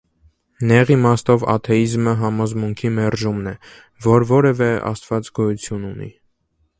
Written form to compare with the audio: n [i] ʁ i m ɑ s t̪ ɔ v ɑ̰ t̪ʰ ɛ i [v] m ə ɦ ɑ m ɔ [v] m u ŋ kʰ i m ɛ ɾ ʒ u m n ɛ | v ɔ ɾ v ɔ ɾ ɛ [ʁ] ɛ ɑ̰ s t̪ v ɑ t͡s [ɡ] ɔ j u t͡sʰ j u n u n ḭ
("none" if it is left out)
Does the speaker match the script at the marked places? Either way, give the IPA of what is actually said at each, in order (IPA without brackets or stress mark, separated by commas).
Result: ɛ, z, z, v, ɡ